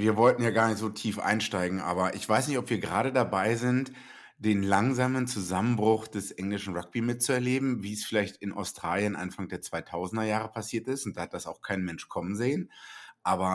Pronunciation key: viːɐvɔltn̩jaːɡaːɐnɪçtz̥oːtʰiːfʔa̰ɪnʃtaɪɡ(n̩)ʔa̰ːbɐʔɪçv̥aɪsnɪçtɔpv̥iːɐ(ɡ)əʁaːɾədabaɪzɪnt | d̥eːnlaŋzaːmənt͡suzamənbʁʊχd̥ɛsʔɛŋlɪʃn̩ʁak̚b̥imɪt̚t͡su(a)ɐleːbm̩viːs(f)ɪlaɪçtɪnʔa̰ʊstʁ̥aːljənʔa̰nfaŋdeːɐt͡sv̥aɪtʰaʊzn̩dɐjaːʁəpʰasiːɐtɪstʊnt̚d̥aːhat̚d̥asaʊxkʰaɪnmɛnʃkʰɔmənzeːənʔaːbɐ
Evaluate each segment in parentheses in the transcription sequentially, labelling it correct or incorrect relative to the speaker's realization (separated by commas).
incorrect, correct, incorrect, correct